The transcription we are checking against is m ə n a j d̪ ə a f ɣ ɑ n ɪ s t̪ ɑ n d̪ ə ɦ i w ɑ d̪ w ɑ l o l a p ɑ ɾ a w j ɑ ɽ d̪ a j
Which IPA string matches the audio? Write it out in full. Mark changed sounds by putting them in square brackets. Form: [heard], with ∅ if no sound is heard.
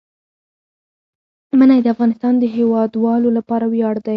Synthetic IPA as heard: m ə n a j d̪ ə a f ɣ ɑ n ɪ s t̪ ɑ n d̪ ə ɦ [e] w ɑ d̪ w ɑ l o l a p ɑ ɾ a w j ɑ ɽ d̪ a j